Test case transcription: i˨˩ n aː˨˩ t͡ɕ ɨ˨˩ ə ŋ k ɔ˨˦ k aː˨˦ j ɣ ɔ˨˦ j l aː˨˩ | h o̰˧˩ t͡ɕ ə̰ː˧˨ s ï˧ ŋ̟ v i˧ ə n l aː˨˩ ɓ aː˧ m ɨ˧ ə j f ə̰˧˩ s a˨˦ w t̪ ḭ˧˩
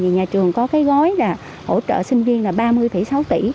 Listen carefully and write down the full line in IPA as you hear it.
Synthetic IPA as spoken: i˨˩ ɲ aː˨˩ t͡ɕ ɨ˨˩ ə ŋ k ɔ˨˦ k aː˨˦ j ɣ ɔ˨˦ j l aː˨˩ | h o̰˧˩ t͡ɕ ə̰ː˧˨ s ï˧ ŋ̟ v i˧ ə n l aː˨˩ ɓ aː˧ m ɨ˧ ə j f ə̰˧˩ s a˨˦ w t̪ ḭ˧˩

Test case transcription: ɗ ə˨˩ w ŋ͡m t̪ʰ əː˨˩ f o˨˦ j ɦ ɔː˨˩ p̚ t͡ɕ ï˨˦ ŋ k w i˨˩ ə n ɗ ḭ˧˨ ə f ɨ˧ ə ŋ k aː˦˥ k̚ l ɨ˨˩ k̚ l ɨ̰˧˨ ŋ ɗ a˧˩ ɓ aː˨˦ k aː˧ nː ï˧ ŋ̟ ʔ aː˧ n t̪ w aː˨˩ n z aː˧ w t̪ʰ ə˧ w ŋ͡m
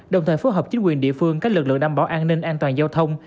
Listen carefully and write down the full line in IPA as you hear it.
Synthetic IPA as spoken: ɗ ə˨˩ w ŋ͡m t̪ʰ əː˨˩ f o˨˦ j ɦ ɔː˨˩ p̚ t͡ɕ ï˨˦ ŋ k w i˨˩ ə n ɗ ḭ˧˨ ə f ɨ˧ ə ŋ k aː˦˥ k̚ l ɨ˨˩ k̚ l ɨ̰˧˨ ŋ ɗ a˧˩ ɓ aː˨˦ ʔ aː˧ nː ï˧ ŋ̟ ʔ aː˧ n t̪ w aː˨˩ n z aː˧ w t̪ʰ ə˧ w ŋ͡m

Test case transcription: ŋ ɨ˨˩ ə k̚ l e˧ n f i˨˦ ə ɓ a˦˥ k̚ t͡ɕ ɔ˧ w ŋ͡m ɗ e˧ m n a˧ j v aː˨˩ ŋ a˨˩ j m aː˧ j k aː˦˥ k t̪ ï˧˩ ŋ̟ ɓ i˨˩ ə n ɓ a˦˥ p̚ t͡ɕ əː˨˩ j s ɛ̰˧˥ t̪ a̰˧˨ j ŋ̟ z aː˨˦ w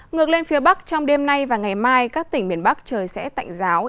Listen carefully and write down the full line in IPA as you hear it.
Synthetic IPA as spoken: ŋ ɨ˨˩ ə k̚ l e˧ n f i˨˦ ə ɓ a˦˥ k̚ t͡ɕ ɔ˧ w ŋ͡m ɗ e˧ m n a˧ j v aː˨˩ ŋ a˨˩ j m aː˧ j k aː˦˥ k t̪ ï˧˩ ŋ̟ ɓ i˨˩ ə n ɓ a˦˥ k̚ t͡ɕ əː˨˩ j s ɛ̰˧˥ t̪ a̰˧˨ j ŋ̟ z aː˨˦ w

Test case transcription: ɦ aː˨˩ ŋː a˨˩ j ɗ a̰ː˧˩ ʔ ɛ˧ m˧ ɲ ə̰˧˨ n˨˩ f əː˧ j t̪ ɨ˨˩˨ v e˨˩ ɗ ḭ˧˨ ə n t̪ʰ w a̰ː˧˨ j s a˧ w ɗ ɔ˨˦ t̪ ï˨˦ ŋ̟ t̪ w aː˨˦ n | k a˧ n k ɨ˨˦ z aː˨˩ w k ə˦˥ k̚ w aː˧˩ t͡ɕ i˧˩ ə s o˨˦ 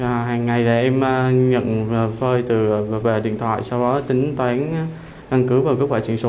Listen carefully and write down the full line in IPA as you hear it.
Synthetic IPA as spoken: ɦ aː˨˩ ŋː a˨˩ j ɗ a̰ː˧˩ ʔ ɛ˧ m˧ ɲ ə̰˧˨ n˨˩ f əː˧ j t̪ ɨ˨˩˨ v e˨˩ ɗ ḭ˧˨ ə n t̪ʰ w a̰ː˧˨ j s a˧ w ɗ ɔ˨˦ t̪ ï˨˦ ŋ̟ t̪ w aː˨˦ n | k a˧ n k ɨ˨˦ v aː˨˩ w k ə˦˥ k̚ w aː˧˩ t͡ɕ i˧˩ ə s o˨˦

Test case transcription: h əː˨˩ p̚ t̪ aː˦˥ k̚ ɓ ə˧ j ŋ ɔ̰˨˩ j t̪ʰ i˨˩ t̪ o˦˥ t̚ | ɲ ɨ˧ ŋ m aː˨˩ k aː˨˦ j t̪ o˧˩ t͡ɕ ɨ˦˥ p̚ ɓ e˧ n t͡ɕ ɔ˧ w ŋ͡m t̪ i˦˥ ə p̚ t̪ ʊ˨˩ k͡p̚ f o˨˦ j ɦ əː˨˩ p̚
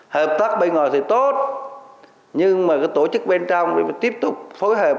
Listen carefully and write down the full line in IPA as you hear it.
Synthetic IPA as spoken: h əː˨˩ p̚ t̪ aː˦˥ k̚ ɓ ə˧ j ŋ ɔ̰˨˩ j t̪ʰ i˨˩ t̪ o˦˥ t̚ | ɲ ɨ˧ ŋ m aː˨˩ k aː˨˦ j t̪ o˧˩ t͡ɕ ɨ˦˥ k̚ ɓ e˧ n t͡ɕ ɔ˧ w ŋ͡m t̪ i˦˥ ə p̚ t̪ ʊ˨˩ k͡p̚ f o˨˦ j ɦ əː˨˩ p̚

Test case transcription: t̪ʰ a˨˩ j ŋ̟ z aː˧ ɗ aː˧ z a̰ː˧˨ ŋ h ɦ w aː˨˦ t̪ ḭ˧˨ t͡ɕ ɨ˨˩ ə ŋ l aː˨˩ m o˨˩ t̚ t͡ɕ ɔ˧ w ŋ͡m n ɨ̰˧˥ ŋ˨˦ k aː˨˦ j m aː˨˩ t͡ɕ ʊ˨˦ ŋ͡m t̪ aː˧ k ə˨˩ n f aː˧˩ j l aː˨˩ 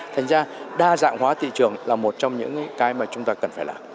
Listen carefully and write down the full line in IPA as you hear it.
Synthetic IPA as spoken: t̪ʰ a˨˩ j ŋ̟ z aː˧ ɗ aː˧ z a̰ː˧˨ ŋ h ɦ w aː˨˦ t̪ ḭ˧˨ t͡ɕ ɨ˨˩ ə ŋ l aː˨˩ m o˨˩ t̚ t͡ɕ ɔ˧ w ŋ͡m ɲ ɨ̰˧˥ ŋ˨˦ k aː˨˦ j m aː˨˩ t͡ɕ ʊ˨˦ ŋ͡m t̪ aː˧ k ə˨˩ n f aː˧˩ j l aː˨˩

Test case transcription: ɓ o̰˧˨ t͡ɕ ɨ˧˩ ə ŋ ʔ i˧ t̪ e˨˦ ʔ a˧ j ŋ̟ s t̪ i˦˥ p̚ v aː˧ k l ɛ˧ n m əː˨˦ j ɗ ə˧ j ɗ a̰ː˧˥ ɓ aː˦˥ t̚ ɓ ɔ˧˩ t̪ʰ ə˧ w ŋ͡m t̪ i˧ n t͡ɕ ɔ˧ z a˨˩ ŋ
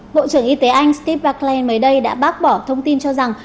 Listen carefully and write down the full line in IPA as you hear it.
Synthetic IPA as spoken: ɓ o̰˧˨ t͡ɕ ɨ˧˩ ə ŋ ʔ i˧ t̪ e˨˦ ʔ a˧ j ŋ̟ s t̪ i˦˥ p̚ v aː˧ k l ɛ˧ n m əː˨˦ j ɗ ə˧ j ɗ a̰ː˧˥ ɓ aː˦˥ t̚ ɓ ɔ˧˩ t̪ʰ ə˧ w ŋ͡m t̪ i˧ n t͡ɕ ɔ˧ z a˨˩ ŋ

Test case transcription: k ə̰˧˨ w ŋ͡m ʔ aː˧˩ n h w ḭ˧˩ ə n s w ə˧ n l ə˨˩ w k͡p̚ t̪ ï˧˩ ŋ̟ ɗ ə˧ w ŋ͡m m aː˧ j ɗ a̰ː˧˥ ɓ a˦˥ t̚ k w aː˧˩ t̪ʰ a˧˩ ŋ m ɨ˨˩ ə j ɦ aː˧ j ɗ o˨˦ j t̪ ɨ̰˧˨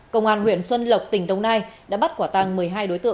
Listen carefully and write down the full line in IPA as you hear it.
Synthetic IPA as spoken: k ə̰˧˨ w ŋ͡m ʔ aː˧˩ n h w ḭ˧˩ ə n s w ə˧ n l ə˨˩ w k͡p̚ t̪ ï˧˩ ŋ̟ ɗ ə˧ w ŋ͡m n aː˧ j ɗ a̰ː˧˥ ɓ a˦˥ t̚ k w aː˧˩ t̪ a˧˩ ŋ m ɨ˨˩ ə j ɦ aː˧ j ɗ o˨˦ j t̪ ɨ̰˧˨

